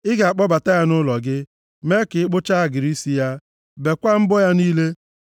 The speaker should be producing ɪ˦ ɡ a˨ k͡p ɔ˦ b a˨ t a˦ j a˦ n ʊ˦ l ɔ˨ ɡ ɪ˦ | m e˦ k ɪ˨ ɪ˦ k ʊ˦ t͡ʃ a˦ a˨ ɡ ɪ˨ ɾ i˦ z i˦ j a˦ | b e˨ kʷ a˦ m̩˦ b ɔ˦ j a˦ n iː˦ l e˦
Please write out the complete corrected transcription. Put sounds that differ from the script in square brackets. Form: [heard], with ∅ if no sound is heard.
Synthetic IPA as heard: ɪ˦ ɡ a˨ k͡p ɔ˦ b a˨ t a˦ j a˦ n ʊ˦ l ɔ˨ ɡ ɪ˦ | m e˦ k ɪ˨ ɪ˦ [k͡p] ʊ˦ t͡ʃ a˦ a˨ ɡ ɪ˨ ɾ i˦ [s] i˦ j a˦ | b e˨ kʷ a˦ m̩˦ b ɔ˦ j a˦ n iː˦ l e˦